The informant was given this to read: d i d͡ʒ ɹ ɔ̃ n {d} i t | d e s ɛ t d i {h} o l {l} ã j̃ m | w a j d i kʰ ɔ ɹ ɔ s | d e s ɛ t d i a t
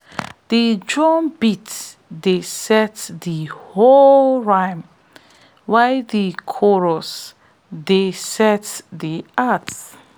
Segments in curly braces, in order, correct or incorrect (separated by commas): incorrect, correct, incorrect